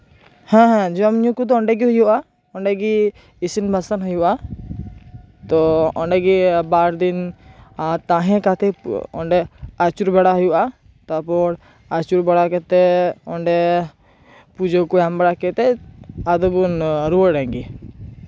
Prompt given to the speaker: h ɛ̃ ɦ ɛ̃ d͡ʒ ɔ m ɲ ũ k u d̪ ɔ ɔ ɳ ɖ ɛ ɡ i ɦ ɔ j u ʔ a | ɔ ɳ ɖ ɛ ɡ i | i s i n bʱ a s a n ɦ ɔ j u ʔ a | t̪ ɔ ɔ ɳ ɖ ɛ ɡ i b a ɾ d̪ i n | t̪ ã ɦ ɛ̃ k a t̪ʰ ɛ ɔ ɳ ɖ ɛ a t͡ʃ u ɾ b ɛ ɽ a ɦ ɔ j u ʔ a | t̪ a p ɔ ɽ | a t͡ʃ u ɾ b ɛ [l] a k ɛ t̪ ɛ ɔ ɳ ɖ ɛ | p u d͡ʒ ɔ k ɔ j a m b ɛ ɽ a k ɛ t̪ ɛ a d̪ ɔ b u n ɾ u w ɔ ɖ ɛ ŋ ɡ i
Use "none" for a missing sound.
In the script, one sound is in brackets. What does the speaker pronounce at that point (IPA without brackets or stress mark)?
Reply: ɽ